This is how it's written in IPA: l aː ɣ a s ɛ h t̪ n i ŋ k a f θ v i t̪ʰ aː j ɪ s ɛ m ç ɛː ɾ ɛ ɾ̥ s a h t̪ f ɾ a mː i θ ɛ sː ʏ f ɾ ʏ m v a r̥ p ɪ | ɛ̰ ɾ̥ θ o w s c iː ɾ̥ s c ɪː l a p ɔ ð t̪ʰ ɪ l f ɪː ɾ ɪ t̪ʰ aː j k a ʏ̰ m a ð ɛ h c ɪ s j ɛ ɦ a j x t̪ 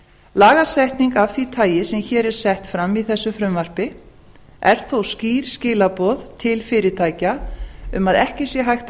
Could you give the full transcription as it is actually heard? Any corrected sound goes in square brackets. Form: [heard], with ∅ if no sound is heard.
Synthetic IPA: l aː ɣ a s ɛ h t̪ n i ŋ k a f θ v i t̪ʰ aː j ɪ s ɛ m ç ɛː ɾ ɛ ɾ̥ s [ɛ] h t̪ f ɾ a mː i θ ɛ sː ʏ f ɾ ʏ m v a r̥ p ɪ | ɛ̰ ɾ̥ θ o w s c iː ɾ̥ s c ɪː l a p ɔ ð t̪ʰ ɪ l f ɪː ɾ ɪ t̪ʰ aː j [c] a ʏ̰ m a ð ɛ h c ɪ s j ɛ ɦ a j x t̪